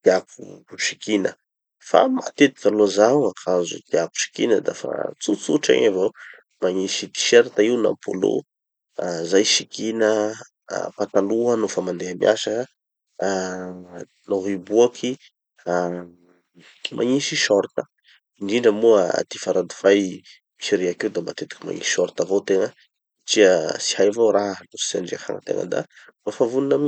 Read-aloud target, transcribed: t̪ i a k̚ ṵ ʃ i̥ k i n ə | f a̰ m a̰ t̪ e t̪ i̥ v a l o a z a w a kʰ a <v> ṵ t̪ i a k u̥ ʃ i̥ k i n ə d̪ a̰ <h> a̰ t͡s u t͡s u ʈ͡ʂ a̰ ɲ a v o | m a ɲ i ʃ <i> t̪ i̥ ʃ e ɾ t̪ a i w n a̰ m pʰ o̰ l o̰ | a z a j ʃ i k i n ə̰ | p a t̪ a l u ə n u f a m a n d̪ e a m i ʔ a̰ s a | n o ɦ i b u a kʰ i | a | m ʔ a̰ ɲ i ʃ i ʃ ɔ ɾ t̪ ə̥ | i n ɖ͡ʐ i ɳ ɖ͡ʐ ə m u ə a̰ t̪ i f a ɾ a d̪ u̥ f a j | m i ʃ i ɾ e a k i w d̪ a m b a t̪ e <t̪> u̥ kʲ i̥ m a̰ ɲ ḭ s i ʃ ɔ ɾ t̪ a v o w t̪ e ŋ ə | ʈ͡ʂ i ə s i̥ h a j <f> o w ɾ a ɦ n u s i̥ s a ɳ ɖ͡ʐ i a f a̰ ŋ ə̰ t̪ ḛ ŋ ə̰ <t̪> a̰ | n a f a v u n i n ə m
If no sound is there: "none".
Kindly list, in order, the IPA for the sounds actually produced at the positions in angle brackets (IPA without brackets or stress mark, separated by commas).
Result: z, f, i, t̪, v, d̪